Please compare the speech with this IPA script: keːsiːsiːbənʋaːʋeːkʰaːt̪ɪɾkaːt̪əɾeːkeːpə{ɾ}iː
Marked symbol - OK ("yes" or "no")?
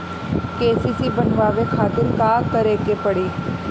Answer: no